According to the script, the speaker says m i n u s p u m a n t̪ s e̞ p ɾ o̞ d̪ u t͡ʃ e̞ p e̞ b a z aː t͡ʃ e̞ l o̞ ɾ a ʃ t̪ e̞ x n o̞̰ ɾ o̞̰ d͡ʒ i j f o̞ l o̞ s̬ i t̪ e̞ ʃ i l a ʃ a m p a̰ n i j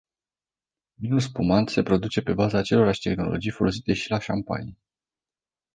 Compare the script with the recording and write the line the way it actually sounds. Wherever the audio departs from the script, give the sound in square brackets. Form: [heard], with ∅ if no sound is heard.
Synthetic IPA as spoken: m i n u s p u m a n t̪ s e̞ p ɾ o̞ d̪ u t͡ʃ e̞ p e̞ b a z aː t͡ʃ e̞ l o̞ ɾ a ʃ t̪ e̞ x n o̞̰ [l] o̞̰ d͡ʒ i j f o̞ l o̞ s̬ i t̪ e̞ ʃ i l a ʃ a m p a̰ n i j

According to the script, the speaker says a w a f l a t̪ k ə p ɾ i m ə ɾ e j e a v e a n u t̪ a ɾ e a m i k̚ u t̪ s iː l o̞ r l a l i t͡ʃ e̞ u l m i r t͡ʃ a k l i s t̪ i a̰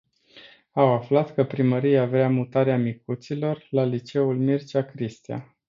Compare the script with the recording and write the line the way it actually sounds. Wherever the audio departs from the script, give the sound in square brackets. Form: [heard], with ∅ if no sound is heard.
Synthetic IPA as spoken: a w a f l a t̪ k ə p ɾ i m ə ɾ [i] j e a v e a [m] u t̪ a ɾ e a m i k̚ u t̪ s [i] l o̞ r l a l i t͡ʃ e̞ u l m i r t͡ʃ a k [ɾ] i s t̪ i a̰

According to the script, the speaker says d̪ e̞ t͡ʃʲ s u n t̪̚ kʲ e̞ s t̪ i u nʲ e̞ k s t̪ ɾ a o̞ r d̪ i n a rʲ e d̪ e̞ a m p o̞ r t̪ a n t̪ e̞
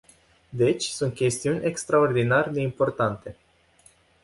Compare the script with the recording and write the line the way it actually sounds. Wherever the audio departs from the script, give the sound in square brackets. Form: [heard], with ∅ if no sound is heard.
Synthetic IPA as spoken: d̪ e̞ t͡ʃʲ s u n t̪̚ kʲ e̞ s t̪ i u nʲ e̞ k s t̪ ɾ a o̞ r d̪ i n a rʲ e d̪ e̞ [i] m p o̞ r t̪ a n t̪ e̞

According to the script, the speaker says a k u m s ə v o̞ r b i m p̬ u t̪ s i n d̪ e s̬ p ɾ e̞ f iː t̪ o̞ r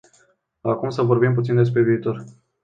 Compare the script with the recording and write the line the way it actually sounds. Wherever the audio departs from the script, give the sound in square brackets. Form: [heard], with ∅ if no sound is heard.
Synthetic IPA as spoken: a k u m s ə v o̞ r b i m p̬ u t̪ s i n d̪ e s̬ p ɾ e̞ [v] iː t̪ o̞ r

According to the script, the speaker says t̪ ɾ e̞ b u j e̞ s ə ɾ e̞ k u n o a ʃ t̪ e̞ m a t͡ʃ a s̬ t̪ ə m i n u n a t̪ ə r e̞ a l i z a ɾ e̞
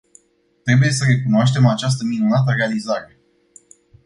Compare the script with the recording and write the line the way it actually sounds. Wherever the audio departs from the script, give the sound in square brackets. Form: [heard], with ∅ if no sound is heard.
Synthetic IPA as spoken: t̪ ɾ e̞ b u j e̞ s ə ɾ e̞ k u n o a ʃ t̪ e̞ m a t͡ʃ a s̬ t̪ ə m i n u n a t̪ ə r e̞ a l i z a ɾ e̞

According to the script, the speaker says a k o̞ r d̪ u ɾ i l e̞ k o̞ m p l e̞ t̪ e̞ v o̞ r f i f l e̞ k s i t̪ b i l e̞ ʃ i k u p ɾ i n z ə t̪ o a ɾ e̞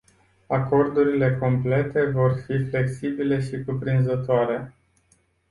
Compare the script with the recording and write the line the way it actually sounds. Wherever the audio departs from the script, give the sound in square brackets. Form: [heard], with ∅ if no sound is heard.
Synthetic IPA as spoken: a k o̞ r d̪ u ɾ i l e̞ k o̞ m p l e̞ t̪ e̞ v o̞ r f i f l e̞ k s i [∅] b i l e̞ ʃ i k u p ɾ i n z ə t̪ o a ɾ e̞

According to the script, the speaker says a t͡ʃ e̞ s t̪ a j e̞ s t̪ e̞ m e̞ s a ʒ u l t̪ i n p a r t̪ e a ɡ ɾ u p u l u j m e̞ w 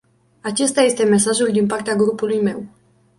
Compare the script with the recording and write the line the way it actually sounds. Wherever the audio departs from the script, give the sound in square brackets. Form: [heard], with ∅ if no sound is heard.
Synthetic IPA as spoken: a t͡ʃ e̞ s t̪ a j e̞ s t̪ e̞ m e̞ s a ʒ u l [d̪] i n p a r t̪ e a ɡ ɾ u p u l u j m e̞ w

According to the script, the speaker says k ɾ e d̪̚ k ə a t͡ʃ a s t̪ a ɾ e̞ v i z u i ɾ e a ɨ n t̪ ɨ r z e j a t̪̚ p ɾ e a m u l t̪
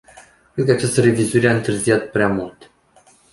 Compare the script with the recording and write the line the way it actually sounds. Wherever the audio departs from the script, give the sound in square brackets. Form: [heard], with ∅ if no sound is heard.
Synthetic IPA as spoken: k ɾ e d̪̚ k ə a t͡ʃ a s t̪ [ə] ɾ e̞ v i z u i ɾ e a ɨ n t̪ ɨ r z [i] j a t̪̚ p ɾ e a m u l t̪

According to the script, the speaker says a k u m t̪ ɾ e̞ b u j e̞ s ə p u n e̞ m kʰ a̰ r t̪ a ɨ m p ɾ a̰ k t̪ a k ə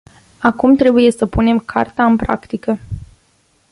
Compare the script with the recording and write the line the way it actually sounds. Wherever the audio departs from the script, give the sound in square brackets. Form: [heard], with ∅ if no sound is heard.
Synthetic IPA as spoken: a k u m t̪ ɾ e̞ b u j e̞ s ə p u n e̞ m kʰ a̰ r t̪ a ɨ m p ɾ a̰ k t̪ [i] k ə

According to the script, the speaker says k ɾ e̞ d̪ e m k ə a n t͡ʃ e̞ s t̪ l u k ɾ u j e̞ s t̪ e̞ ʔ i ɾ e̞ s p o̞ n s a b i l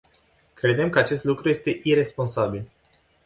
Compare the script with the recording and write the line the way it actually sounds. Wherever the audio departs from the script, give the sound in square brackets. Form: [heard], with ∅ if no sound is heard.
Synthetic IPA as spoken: k ɾ e̞ d̪ e m k ə a [∅] t͡ʃ e̞ s t̪ l u k ɾ u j e̞ s t̪ e̞ ʔ i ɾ e̞ s p o̞ n s a b i l

